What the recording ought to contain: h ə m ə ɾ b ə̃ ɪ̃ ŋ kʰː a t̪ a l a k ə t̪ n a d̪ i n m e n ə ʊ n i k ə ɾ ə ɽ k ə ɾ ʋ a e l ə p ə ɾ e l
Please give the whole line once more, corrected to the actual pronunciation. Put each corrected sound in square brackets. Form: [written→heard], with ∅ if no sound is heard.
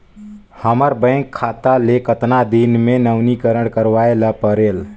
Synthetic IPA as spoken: h ə m ə ɾ b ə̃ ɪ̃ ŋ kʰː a t̪ a l [a→e] k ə t̪ n a d̪ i n m e n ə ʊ n i k ə ɾ ə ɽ k ə ɾ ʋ a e l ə p ə ɾ e l